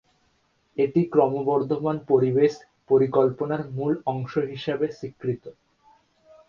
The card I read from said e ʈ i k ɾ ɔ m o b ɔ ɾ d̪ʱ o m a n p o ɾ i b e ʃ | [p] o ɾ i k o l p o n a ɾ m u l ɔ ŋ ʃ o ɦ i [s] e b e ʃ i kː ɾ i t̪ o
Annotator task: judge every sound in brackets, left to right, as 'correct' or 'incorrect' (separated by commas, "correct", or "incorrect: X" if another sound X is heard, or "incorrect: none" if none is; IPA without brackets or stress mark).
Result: correct, incorrect: ʃ